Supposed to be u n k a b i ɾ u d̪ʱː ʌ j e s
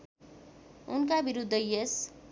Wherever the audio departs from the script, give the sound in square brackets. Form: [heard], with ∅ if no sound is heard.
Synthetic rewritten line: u n k a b i ɾ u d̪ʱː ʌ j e s